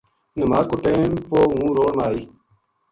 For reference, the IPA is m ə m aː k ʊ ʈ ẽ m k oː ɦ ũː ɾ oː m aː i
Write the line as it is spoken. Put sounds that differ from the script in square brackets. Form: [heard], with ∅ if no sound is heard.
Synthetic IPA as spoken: [n] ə m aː k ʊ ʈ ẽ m [p] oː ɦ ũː ɾ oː [n] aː i